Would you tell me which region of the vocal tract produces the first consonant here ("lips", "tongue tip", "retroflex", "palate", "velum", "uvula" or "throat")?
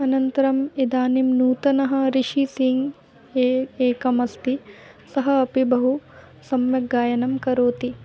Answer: tongue tip